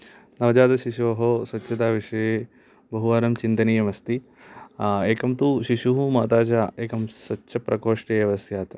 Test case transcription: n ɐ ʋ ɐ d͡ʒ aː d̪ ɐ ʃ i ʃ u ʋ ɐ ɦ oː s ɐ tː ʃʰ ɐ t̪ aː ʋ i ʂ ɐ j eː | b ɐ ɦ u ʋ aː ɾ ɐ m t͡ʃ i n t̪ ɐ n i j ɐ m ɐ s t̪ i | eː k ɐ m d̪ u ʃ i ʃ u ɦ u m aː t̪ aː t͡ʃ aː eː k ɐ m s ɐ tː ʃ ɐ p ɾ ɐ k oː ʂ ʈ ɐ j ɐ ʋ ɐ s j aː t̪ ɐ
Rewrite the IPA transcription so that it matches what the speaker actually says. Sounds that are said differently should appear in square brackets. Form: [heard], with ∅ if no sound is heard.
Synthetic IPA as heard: n ɐ ʋ ɐ d͡ʒ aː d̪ ɐ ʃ i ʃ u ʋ ɐ ɦ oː s ɐ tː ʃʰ ɐ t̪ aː ʋ i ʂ ɐ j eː | b ɐ ɦ u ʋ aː ɾ ɐ m t͡ʃ i n t̪ ɐ n i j ɐ m ɐ s t̪ i | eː k ɐ m [t̪] u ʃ i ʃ u ɦ u m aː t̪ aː t͡ʃ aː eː k ɐ m s ɐ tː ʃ ɐ p ɾ ɐ k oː ʂ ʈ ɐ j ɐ ʋ ɐ s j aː t̪ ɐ